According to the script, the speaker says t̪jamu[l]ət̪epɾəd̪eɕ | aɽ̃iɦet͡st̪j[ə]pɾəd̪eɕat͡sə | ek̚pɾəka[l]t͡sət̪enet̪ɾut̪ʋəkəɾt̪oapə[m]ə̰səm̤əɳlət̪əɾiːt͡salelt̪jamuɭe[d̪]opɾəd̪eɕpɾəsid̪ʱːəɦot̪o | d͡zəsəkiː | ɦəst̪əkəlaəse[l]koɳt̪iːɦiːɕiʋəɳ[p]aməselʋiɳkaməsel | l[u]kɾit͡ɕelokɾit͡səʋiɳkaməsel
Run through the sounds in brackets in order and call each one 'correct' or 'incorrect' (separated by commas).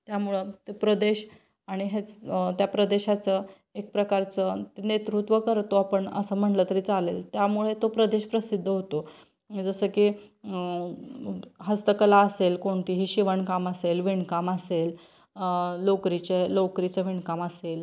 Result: incorrect, incorrect, incorrect, incorrect, incorrect, correct, incorrect, incorrect